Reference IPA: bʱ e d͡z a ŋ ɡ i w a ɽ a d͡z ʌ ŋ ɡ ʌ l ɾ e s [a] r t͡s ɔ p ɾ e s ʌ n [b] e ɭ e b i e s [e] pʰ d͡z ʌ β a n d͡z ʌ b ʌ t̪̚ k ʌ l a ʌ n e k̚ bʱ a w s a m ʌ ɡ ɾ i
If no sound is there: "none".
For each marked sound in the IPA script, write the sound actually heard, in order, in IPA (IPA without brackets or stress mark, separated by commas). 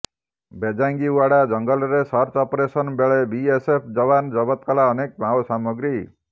ʌ, b, e